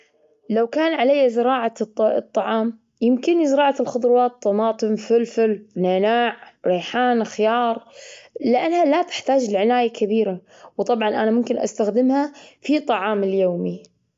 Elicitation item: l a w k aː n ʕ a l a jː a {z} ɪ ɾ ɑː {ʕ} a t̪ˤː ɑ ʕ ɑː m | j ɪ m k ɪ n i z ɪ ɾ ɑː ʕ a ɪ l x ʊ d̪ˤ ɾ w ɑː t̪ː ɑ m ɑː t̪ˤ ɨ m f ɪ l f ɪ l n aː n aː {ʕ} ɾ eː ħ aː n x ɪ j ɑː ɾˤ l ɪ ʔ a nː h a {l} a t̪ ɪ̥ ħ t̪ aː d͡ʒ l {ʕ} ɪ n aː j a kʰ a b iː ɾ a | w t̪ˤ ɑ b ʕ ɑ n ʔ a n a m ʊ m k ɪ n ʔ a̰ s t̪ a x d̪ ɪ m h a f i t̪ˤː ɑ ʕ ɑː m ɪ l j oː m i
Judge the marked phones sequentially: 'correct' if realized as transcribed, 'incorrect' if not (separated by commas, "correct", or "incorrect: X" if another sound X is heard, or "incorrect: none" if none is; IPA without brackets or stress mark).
correct, correct, correct, correct, correct